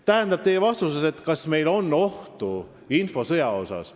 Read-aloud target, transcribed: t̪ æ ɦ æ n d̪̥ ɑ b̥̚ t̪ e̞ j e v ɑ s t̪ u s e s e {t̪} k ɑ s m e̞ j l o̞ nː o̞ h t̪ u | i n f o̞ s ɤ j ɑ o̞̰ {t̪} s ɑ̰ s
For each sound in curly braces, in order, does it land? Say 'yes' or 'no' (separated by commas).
yes, no